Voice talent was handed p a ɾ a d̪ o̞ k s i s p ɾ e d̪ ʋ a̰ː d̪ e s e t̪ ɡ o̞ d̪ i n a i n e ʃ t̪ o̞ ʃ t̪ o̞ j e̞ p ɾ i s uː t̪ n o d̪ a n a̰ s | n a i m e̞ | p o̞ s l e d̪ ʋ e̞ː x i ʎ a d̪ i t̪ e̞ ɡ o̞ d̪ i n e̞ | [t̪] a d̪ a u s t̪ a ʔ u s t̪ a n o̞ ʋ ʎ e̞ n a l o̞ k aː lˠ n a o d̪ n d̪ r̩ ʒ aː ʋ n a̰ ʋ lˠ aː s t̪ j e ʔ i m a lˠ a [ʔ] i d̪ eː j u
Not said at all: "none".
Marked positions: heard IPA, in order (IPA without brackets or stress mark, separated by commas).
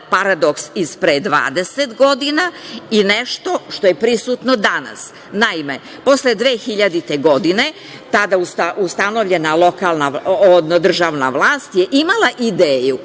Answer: t̪, ʔ